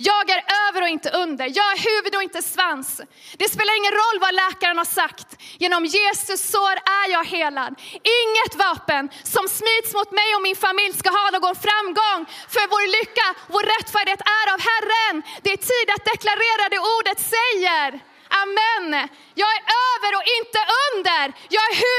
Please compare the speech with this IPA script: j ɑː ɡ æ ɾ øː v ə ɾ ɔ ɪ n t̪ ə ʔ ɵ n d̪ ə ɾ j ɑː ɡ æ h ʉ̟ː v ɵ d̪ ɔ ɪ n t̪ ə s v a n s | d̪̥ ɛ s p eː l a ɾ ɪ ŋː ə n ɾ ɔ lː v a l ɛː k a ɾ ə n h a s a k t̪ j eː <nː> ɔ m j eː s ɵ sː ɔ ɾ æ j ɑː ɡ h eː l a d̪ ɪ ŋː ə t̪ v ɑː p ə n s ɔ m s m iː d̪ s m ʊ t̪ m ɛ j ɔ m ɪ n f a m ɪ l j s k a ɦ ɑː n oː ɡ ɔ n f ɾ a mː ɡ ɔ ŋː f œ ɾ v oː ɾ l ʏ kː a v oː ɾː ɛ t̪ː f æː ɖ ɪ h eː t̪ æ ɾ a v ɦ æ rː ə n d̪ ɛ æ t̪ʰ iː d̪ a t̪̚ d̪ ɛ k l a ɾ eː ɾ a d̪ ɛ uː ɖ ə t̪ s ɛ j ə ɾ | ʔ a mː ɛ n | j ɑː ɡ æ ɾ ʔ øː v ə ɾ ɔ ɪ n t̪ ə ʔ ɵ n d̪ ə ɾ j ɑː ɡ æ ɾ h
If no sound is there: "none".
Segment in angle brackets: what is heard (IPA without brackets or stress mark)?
n